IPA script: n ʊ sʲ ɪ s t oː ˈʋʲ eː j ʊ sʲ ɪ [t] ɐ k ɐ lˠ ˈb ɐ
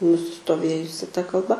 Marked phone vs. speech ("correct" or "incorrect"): correct